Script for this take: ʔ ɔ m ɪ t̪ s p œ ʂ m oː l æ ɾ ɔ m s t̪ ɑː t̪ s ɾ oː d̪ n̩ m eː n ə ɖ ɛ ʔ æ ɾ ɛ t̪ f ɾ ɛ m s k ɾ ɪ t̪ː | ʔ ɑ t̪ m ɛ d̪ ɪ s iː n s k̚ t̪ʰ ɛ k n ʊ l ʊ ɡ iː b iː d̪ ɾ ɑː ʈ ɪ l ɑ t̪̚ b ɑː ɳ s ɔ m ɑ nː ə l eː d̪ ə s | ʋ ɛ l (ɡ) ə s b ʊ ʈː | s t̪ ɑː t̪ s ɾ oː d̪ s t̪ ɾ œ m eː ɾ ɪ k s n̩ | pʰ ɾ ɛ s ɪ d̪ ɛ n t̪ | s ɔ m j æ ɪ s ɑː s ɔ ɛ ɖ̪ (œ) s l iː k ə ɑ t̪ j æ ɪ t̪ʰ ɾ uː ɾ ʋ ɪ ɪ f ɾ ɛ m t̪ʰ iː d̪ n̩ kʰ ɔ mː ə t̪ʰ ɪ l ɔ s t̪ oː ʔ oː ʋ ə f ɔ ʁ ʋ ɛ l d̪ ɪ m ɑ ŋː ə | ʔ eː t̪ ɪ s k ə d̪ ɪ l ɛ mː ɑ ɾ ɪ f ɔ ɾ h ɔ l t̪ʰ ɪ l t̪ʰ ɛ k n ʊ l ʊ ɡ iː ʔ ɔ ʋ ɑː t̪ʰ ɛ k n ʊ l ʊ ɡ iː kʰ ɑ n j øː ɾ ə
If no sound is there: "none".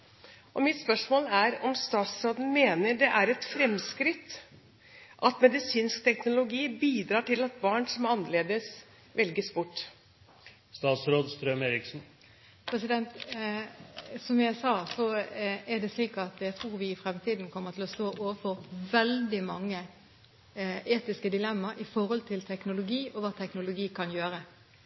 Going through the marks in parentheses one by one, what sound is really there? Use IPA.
ɡ, ɛ

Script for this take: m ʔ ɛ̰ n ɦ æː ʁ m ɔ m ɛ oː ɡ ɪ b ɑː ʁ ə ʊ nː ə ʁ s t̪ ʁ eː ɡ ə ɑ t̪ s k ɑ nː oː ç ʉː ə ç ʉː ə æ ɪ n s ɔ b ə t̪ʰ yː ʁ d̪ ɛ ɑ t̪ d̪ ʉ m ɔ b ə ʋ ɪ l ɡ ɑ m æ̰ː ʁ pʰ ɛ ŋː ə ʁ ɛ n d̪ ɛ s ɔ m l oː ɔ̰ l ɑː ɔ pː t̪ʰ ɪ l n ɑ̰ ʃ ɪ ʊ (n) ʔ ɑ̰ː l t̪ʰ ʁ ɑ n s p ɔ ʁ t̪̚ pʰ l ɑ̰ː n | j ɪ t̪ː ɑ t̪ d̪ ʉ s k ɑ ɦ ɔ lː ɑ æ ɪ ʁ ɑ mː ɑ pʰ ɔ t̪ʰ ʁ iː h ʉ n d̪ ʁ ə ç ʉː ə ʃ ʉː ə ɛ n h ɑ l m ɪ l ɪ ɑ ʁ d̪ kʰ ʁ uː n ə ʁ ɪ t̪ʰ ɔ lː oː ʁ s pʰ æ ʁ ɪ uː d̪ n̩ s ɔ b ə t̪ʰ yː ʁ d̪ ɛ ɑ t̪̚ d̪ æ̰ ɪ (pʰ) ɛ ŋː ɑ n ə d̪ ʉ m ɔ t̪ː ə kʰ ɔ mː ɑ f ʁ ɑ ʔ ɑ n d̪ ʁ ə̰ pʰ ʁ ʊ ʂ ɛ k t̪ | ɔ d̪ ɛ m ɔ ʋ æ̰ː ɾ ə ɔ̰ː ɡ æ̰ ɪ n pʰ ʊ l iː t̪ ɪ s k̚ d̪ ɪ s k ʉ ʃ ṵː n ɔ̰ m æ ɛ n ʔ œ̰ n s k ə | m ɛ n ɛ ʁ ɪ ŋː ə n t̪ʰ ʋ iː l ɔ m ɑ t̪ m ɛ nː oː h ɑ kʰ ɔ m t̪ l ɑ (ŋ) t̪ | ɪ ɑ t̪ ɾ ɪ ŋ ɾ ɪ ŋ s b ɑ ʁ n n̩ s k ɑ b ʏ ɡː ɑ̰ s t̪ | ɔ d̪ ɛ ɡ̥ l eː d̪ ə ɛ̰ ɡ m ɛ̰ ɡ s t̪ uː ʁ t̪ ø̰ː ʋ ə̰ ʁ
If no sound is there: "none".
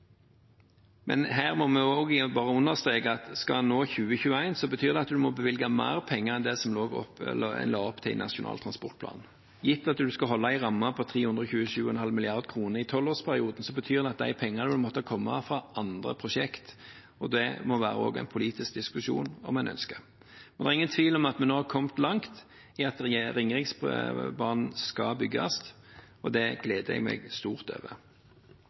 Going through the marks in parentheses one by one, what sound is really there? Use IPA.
n, pʰ, ŋ

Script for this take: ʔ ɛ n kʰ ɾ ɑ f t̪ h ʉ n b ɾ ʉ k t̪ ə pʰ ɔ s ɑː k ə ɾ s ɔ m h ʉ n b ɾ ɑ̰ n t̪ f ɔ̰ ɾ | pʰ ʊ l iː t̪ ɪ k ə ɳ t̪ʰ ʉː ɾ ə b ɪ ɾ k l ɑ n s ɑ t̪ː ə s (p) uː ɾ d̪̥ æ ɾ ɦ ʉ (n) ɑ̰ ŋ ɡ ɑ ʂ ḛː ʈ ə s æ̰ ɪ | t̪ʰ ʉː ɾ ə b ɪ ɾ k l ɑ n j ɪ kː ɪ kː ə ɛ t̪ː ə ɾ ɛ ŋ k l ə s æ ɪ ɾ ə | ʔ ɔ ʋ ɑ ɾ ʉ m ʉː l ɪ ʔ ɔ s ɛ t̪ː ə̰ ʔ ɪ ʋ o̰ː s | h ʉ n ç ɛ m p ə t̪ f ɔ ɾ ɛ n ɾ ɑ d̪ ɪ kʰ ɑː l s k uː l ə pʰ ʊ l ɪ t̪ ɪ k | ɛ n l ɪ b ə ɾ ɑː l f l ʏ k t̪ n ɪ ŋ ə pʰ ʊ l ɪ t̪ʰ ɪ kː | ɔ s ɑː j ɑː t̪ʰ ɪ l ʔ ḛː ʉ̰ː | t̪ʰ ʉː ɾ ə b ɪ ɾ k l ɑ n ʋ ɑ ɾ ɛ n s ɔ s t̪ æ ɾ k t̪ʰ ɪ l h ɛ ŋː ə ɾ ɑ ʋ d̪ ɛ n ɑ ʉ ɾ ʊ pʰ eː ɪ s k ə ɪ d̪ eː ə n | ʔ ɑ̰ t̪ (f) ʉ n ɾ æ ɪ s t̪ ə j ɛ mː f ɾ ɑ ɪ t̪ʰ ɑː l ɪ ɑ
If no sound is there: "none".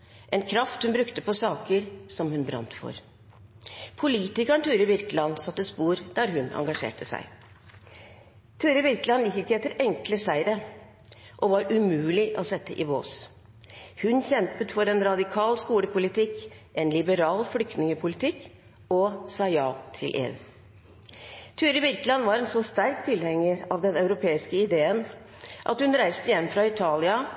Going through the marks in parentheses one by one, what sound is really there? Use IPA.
p, n, h

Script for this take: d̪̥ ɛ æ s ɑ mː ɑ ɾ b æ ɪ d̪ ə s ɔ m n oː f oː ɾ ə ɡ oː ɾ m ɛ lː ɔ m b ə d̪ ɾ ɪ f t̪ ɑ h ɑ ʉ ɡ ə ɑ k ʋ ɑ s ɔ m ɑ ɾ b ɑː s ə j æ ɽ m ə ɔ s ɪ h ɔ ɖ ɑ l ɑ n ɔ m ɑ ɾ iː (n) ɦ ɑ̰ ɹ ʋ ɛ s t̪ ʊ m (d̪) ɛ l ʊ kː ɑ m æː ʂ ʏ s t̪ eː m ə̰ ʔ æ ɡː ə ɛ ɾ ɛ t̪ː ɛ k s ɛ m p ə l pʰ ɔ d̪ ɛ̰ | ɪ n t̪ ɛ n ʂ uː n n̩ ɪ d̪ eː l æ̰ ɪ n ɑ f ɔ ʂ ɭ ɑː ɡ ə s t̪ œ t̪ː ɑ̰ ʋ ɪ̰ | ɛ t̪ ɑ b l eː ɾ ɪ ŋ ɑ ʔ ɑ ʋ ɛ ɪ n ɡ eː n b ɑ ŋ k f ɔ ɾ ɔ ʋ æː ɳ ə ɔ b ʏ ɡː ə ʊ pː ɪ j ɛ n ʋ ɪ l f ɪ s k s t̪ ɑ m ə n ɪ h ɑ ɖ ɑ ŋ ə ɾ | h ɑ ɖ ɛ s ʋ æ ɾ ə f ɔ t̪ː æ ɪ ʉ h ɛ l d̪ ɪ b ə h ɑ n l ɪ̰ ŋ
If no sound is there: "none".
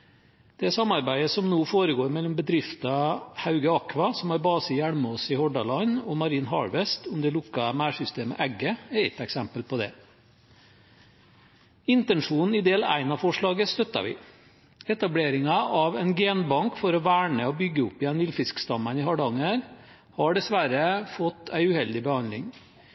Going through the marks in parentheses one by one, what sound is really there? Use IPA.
n, d̪

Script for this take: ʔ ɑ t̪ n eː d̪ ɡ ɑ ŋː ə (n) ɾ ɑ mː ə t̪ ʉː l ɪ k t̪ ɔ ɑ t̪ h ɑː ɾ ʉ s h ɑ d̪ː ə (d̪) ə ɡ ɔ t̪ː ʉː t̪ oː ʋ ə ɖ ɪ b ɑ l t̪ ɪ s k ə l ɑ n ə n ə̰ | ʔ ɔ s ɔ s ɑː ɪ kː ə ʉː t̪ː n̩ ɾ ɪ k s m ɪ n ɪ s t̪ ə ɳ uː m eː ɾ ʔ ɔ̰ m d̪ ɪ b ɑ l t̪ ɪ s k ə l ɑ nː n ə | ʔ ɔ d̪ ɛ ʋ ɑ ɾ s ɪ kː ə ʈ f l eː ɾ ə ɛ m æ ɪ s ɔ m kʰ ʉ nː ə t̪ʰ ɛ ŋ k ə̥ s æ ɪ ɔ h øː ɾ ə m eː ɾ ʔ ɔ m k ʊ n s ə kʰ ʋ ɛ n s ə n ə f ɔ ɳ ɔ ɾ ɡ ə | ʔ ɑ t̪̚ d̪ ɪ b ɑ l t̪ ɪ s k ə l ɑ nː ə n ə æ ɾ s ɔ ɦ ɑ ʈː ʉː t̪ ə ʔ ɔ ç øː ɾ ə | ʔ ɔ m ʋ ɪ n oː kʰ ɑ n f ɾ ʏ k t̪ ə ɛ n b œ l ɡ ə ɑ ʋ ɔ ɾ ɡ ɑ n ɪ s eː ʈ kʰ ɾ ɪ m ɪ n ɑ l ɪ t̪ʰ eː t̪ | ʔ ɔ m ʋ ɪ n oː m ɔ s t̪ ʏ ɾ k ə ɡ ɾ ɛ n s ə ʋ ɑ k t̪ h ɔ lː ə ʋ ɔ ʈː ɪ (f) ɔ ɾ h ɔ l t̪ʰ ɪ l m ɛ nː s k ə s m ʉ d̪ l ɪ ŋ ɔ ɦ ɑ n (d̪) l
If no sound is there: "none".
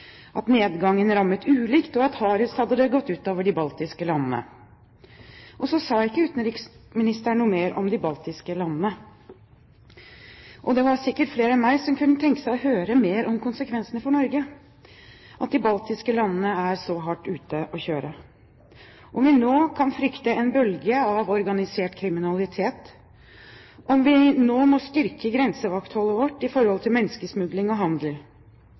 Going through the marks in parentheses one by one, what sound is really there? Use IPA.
n, d̪, f, d̪

